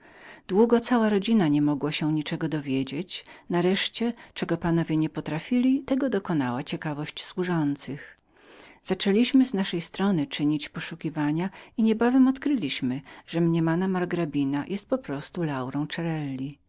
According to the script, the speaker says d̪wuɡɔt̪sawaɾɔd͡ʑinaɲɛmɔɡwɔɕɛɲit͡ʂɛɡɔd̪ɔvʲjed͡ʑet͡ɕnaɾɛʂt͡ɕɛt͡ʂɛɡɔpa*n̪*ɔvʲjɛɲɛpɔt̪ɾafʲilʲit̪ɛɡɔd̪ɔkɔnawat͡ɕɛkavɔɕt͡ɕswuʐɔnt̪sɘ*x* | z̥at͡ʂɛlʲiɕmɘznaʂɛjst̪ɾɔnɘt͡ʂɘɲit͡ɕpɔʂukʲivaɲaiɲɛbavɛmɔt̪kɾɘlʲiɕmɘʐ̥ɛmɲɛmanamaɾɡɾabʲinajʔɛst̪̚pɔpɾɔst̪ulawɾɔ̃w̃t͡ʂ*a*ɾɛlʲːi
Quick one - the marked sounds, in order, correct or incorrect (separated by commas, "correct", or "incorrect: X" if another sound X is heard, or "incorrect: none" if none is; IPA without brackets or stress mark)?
correct, correct, incorrect: ɛ